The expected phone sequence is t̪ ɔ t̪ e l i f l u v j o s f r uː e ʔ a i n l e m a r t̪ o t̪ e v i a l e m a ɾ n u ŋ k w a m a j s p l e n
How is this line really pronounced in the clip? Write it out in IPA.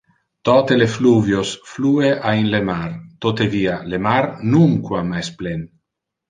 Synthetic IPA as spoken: t̪ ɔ t̪ e l e f l u v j o s f l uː e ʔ a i n l e m a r t̪ o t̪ e v i a l e m a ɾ n u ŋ k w a m a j s p l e n